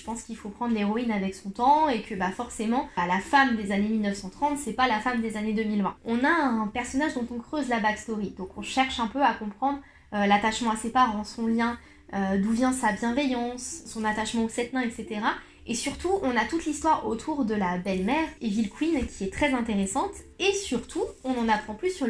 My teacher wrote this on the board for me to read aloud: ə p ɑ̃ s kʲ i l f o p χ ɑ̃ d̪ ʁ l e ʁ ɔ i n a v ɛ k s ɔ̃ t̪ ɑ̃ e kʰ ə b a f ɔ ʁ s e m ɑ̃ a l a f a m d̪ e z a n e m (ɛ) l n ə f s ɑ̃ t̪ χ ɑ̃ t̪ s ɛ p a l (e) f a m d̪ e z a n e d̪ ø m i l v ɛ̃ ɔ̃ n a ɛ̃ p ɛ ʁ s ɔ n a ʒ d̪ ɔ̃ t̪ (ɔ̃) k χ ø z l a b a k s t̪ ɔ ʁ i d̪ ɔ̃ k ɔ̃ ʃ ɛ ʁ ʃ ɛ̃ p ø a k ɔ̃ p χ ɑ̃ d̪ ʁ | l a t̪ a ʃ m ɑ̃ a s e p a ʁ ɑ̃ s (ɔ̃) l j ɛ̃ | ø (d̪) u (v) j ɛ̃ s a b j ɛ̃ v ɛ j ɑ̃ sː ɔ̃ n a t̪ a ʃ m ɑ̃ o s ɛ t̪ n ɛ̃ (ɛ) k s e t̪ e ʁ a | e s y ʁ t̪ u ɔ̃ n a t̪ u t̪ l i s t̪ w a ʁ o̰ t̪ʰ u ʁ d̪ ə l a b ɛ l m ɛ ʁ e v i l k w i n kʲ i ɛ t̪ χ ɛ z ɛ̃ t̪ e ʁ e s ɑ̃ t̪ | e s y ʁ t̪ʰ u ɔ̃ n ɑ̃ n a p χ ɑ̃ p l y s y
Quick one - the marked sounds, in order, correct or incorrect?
incorrect, incorrect, correct, correct, correct, correct, correct

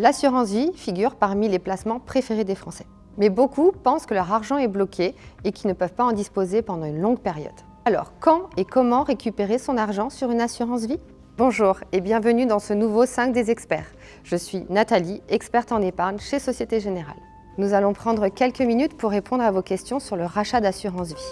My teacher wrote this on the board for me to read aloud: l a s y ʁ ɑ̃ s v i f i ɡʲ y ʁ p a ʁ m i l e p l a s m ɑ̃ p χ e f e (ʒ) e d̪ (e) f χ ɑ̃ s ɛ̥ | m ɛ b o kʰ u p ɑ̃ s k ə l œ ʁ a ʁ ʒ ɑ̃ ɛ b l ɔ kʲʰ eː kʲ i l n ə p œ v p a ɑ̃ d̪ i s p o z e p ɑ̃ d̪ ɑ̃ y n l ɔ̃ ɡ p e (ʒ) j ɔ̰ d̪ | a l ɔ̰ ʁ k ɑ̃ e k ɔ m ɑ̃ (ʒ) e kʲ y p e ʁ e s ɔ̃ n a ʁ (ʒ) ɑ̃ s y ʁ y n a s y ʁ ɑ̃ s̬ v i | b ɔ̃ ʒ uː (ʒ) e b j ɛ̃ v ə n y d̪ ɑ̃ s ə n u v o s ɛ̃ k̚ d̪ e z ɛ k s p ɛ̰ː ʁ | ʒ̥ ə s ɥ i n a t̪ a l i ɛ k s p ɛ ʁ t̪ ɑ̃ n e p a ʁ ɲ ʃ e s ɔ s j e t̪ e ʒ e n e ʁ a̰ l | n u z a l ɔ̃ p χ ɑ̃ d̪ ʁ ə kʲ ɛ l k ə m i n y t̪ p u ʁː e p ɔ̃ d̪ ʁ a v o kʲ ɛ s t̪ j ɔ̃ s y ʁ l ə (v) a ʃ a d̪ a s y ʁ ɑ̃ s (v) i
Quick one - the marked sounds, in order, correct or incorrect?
incorrect, correct, incorrect, incorrect, correct, incorrect, incorrect, correct

